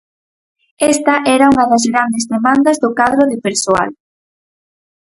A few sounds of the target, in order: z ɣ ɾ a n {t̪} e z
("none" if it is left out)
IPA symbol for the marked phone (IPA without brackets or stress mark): d̪